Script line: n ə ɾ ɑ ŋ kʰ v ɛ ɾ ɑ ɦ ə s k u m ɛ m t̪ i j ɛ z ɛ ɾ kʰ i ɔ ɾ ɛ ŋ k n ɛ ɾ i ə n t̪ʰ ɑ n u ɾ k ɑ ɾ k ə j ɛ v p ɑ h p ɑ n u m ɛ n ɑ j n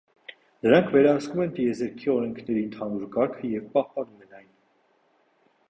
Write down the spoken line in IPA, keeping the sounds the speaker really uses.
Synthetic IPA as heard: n ə ɾ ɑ ŋ kʰ v ɛ ɾ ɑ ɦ ə s k u m ɛ n t̪ i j ɛ z ɛ ɾ kʰ i ɔ ɾ ɛ ŋ kʰ n ɛ ɾ i ə n t̪ʰ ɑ n u ɾ k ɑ ɾ kʰ ə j ɛ v p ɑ h p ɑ n u m ɛ n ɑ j n